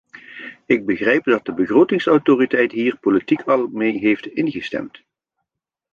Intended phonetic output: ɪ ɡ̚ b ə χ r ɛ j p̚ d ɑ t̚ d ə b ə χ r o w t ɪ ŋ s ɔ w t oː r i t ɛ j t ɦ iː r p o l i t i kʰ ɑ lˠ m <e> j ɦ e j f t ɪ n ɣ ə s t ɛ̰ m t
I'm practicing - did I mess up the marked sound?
no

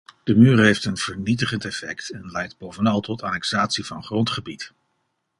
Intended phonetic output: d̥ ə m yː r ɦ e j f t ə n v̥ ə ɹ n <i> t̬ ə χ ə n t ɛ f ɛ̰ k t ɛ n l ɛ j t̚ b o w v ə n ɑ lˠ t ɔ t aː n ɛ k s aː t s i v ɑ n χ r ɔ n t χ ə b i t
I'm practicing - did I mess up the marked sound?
no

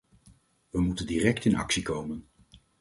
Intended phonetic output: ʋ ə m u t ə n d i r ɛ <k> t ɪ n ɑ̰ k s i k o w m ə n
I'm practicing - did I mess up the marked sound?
no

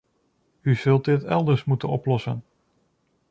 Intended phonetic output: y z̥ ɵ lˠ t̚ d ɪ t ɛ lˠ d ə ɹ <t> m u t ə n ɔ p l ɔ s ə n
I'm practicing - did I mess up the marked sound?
yes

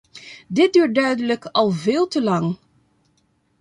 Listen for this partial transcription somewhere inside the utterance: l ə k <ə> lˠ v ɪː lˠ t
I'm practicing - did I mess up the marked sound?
yes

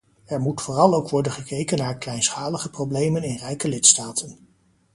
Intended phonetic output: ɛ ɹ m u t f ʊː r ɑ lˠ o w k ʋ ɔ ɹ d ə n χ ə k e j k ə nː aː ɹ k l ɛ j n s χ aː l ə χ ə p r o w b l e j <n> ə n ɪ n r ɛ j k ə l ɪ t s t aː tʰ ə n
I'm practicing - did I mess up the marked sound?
yes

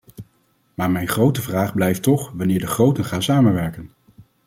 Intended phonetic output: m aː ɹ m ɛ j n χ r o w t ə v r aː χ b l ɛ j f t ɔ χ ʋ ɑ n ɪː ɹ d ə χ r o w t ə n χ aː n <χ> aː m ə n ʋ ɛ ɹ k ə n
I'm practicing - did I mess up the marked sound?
yes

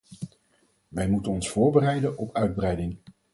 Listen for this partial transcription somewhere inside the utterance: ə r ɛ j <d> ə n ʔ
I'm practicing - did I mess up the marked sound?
no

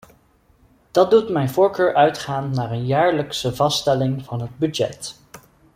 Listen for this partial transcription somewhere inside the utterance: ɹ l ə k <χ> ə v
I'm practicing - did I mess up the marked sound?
yes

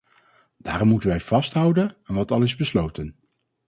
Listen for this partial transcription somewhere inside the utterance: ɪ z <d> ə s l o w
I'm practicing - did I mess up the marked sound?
yes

